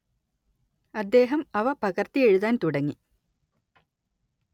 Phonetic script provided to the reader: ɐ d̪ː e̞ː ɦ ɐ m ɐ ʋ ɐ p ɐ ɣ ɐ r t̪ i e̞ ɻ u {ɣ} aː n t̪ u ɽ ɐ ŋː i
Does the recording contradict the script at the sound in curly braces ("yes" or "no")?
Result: yes